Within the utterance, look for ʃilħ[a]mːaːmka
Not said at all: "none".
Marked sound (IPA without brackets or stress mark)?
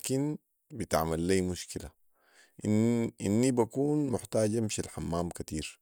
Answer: a